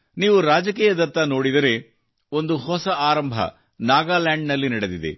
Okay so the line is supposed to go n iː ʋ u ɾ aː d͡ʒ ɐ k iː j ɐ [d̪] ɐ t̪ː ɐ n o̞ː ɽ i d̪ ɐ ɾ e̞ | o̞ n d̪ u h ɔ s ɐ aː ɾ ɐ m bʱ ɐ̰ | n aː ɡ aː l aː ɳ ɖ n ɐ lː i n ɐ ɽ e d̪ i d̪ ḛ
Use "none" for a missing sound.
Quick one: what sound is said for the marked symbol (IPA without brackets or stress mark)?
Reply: d̪